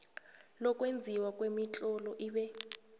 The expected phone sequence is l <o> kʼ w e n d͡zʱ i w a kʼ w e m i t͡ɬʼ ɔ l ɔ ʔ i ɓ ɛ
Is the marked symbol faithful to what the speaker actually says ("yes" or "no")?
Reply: no